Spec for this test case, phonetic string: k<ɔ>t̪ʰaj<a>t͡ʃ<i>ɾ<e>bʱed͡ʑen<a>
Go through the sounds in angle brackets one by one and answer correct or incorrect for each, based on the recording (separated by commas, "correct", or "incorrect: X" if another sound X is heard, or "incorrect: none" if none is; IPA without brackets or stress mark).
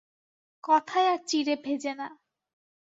correct, correct, correct, correct, correct